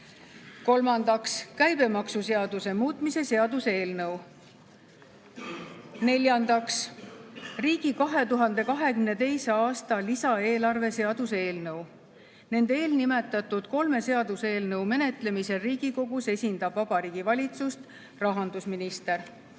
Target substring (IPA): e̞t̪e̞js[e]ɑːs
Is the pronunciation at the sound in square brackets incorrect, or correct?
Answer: correct